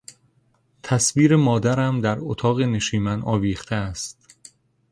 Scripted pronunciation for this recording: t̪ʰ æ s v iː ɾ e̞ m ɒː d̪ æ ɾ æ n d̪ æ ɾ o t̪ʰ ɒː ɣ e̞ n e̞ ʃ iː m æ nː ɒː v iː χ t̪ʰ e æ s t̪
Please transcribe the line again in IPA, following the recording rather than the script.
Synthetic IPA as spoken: t̪ʰ æ s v iː ɾ e̞ m ɒː d̪ æ ɾ æ m d̪ æ ɾ o t̪ʰ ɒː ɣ e̞ n e̞ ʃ iː m æ n ɒː v iː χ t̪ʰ e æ s t̪